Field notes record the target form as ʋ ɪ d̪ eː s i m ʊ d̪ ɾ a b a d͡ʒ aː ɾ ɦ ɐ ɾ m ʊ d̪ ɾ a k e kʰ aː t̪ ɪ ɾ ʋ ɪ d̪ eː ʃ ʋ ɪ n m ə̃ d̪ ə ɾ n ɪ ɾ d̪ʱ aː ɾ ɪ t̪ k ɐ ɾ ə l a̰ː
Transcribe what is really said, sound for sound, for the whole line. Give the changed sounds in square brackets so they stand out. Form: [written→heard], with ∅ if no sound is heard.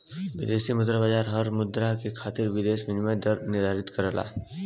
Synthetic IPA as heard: ʋ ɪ d̪ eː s i m ʊ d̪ ɾ a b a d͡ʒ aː ɾ ɦ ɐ ɾ m ʊ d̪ ɾ a k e kʰ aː t̪ ɪ ɾ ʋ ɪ d̪ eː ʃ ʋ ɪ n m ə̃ d̪ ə ɾ n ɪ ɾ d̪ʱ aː ɾ ɪ t̪ k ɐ ɾ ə l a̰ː

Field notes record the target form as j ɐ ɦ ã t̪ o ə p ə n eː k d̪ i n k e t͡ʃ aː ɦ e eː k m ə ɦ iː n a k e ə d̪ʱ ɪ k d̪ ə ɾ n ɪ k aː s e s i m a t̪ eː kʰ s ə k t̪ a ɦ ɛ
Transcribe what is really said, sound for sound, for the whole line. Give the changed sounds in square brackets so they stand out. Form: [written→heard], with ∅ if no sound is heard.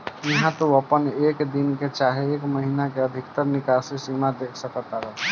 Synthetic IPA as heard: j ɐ ɦ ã t̪ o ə p ə n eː k d̪ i n k e t͡ʃ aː ɦ e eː k m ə ɦ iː n a k e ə d̪ʱ ɪ k [d̪→t̪] ə ɾ n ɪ k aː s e s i m a [t̪→d̪] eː kʰ s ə k t̪ a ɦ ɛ

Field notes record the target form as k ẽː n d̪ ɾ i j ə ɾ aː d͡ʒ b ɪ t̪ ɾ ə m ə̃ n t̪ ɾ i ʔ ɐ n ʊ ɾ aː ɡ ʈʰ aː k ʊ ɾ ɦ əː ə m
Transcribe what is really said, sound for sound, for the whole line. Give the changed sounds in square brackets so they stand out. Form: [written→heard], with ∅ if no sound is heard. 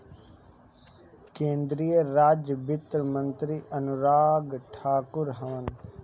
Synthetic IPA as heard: k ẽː n d̪ ɾ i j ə ɾ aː d͡ʒ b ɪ t̪ ɾ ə m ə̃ n t̪ ɾ i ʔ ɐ n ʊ ɾ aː ɡ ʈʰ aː k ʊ ɾ ɦ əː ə [m→n]

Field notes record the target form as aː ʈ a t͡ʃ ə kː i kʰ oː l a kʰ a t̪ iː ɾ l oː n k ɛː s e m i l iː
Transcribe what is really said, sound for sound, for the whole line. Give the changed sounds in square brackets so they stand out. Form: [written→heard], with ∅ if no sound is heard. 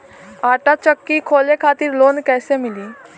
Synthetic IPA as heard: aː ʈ a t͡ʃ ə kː i kʰ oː l [a→e] kʰ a t̪ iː ɾ l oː n k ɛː s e m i l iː

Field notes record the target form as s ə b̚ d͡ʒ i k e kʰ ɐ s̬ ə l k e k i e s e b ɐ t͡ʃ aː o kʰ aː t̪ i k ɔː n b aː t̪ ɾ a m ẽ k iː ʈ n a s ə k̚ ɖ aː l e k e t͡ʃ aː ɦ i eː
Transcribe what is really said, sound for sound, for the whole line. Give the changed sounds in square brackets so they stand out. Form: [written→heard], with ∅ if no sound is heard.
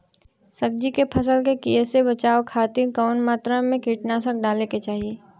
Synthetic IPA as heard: s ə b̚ d͡ʒ i k e [kʰ→pʰ] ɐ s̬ ə l k e k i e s e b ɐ t͡ʃ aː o kʰ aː t̪ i k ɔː n [b→m] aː t̪ ɾ a m ẽ k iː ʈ n a s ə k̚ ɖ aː l e k e t͡ʃ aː ɦ i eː

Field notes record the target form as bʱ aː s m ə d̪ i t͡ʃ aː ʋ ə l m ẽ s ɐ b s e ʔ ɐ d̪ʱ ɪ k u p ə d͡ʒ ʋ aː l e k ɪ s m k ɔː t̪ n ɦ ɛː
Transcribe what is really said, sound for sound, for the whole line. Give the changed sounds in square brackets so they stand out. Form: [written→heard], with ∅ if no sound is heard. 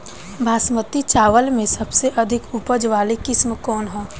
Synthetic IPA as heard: bʱ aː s m ə [d̪→t̪] i t͡ʃ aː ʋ ə l m ẽ s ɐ b s e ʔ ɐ d̪ʱ ɪ k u p ə d͡ʒ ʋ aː l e k ɪ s m k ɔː [t̪→∅] n ɦ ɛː

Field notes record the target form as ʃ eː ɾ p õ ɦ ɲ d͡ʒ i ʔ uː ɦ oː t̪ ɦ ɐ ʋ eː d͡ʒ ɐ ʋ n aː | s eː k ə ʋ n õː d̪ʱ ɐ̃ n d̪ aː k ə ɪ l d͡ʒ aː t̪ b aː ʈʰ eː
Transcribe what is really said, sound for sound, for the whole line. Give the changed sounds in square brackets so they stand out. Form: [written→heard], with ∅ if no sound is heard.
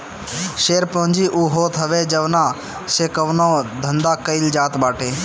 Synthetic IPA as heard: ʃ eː ɾ p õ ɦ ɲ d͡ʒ i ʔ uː ɦ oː t̪ ɦ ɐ ʋ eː d͡ʒ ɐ ʋ n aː | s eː k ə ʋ n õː d̪ʱ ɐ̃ n d̪ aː k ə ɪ l d͡ʒ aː t̪ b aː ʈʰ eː

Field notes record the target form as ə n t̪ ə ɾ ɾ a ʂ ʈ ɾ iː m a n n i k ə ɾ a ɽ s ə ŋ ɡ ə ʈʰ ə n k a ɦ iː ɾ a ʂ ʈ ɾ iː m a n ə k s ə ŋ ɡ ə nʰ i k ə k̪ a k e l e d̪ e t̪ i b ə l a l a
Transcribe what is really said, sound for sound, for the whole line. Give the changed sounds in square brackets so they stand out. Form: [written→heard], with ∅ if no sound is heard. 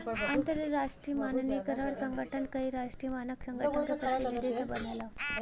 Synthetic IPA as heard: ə n t̪ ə ɾ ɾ a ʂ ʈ ɾ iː m a n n i k ə ɾ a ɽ s ə ŋ ɡ ə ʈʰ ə n k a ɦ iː ɾ a ʂ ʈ ɾ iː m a n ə k s ə ŋ ɡ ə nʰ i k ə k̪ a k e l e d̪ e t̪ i b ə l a l a

